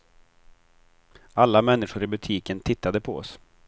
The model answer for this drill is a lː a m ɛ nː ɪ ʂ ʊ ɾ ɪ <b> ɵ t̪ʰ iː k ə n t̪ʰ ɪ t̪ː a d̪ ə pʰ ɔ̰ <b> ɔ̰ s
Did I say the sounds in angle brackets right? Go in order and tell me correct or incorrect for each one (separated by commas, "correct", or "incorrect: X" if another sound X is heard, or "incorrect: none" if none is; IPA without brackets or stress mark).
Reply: correct, incorrect: none